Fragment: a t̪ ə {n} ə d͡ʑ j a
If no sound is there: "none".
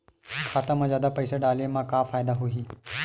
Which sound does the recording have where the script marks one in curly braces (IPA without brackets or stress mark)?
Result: m